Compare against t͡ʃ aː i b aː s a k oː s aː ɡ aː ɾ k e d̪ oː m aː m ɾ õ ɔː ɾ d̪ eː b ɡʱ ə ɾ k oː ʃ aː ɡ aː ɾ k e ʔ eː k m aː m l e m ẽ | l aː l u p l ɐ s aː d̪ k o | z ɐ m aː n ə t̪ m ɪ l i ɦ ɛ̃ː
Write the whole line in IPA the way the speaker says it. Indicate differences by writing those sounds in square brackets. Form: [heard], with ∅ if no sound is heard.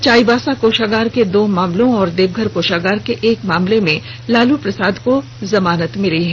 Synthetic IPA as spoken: t͡ʃ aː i b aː s a k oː [ʃ] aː ɡ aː ɾ k e d̪ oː m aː m [l] õ ɔː ɾ d̪ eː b ɡʱ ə ɾ k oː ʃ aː ɡ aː ɾ k e ʔ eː k m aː m l e m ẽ | l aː l u p [ɾ] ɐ s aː d̪ k o | z ɐ m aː n ə t̪ m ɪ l i ɦ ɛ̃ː